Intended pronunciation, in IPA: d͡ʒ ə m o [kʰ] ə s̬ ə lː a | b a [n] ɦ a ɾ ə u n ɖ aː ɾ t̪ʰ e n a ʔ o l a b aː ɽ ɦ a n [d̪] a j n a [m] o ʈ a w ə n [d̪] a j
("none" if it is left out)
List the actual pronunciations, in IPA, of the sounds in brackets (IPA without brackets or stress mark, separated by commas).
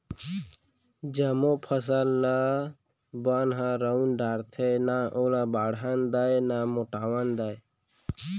pʰ, n, d̪, m, d̪